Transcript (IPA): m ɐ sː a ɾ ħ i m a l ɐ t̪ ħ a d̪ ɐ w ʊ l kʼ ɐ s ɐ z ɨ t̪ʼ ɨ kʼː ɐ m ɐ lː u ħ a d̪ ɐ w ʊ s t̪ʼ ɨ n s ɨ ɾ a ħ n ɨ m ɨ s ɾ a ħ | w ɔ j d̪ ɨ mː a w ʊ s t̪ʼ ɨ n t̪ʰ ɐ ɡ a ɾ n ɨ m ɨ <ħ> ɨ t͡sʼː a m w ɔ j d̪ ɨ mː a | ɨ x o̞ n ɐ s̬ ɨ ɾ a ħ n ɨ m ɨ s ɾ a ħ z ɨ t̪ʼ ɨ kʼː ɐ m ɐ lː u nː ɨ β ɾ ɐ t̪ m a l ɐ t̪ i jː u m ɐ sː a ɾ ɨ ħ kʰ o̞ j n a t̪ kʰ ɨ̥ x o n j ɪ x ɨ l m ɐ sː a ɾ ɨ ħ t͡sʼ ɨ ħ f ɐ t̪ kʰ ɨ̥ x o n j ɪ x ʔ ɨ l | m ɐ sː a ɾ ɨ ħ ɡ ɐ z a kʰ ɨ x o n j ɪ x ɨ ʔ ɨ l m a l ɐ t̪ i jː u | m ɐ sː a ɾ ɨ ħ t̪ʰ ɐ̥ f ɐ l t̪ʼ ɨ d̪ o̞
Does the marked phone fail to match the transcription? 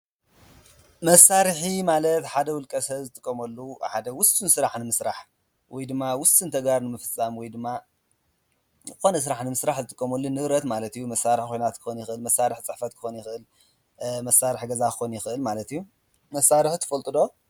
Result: yes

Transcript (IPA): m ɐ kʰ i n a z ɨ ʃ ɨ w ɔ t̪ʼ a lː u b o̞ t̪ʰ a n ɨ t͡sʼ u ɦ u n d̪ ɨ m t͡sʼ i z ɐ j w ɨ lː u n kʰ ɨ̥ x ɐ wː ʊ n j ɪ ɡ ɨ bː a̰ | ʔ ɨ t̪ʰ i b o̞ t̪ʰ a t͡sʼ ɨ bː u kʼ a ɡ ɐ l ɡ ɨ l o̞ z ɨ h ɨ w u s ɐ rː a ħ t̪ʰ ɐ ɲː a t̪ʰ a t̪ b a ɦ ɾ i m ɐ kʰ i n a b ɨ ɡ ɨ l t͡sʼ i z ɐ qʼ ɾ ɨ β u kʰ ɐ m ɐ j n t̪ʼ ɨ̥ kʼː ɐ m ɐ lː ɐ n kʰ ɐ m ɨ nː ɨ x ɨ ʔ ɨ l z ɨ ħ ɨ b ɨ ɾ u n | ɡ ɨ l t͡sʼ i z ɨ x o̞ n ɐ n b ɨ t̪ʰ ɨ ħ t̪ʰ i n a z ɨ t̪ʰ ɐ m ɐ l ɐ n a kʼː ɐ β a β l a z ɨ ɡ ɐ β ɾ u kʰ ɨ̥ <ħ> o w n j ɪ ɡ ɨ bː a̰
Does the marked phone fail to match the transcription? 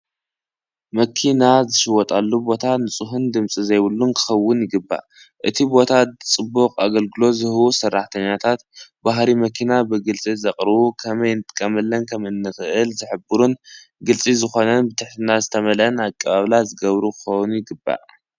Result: yes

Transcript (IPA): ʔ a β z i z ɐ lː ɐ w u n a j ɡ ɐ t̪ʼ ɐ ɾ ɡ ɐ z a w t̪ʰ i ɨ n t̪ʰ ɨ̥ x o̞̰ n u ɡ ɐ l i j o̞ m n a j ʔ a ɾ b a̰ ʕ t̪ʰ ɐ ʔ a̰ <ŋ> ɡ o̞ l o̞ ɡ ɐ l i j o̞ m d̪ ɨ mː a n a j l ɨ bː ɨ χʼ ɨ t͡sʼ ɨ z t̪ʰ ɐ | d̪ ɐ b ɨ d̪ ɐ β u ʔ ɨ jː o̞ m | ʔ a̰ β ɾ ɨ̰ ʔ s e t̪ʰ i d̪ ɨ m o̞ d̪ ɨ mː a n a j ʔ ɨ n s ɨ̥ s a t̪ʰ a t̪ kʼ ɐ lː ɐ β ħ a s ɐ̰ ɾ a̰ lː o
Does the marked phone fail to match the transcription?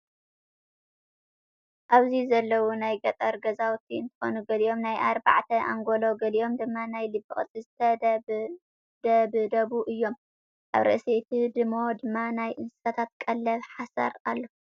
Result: no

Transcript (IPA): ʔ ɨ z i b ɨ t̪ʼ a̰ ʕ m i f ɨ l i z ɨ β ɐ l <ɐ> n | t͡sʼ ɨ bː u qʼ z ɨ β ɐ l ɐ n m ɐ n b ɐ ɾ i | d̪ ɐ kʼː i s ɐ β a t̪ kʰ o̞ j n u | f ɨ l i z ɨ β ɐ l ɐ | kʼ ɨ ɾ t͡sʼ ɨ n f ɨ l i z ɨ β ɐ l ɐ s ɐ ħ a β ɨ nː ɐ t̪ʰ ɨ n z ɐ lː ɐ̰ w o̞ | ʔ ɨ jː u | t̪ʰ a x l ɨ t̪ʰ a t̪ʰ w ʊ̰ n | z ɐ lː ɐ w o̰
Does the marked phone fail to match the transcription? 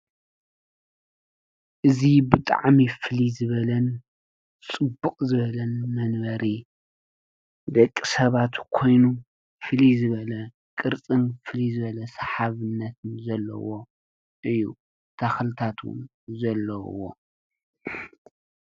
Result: no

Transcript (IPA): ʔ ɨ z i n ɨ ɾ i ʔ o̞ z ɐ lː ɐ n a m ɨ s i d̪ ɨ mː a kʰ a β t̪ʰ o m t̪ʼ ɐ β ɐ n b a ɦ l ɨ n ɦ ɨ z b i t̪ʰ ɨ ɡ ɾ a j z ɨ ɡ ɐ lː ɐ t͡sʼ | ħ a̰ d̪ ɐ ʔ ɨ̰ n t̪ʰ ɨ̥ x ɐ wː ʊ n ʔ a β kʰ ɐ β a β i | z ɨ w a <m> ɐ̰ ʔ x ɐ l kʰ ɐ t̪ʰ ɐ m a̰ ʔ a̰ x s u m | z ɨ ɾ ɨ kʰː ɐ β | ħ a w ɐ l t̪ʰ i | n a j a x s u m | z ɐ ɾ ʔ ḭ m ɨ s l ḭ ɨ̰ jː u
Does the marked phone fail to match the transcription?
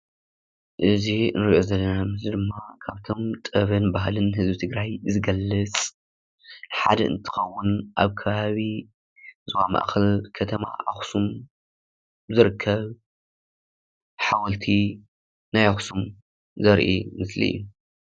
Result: no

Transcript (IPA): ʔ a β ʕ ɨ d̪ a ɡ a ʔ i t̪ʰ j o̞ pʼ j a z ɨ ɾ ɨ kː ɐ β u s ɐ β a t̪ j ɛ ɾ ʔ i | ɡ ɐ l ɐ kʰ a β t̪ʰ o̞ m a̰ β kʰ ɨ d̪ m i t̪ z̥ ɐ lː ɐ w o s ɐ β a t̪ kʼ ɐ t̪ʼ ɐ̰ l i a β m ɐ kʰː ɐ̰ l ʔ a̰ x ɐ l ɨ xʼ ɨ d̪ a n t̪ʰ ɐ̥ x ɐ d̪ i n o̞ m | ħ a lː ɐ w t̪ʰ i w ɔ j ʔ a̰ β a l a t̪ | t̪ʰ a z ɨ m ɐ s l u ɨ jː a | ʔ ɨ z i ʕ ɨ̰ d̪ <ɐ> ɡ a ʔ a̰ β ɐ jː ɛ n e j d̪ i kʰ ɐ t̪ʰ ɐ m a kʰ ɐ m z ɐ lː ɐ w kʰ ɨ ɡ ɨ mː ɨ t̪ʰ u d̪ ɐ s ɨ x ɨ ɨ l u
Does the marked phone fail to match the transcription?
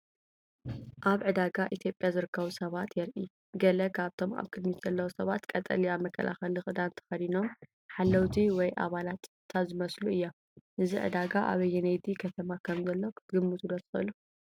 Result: yes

